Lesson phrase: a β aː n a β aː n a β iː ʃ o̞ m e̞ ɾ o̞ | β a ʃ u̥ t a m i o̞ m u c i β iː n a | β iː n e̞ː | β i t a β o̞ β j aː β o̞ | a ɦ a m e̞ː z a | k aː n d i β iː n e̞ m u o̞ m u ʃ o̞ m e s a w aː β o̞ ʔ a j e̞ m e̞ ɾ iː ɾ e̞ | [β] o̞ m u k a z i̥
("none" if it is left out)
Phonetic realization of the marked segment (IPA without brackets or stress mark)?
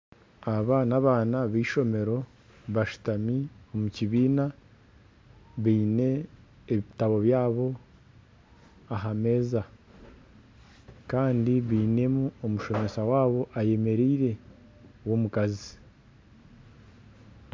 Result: w